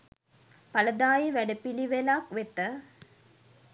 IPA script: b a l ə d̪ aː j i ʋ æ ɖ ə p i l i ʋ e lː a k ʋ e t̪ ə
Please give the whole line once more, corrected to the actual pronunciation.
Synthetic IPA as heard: p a l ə d̪ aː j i ʋ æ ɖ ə p i l i ʋ e l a k ʋ e t̪ ə